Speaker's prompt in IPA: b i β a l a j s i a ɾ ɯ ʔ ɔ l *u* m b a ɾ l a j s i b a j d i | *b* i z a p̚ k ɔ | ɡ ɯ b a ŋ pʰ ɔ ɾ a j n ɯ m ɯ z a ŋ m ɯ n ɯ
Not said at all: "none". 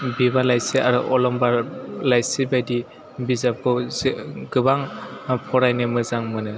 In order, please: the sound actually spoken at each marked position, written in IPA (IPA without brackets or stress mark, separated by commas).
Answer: ɔ, b